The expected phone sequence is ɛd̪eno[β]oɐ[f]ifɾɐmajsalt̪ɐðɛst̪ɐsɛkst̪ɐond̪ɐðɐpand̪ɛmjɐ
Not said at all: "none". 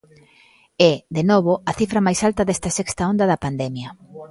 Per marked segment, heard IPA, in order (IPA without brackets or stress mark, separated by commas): β, θ